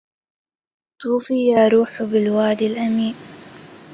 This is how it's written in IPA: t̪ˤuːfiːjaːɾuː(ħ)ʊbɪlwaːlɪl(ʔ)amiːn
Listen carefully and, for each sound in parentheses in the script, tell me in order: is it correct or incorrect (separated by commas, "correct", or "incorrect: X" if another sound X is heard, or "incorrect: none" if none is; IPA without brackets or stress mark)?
correct, correct